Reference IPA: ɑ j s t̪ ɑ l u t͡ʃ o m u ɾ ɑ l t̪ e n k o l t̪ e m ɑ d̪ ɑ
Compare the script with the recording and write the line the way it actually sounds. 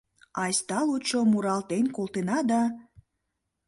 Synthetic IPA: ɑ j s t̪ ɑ l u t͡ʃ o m u ɾ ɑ l t̪ e n k o l t̪ e n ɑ d̪ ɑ